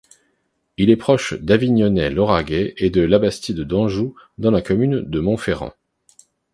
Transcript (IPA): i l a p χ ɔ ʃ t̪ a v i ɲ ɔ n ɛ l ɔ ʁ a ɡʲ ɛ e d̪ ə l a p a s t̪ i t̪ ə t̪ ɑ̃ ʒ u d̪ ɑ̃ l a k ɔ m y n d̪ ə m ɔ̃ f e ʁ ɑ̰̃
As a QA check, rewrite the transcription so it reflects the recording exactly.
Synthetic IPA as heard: i l ɛ p χ ɔ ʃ d̪ a v i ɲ ɔ n ɛ l ɔ ʁ a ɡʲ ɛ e d̪ ə l a b a s t̪ i d̪ ə d̪ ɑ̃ ʒ u d̪ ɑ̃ l a k ɔ m y n d̪ ə m ɔ̃ f e ʁ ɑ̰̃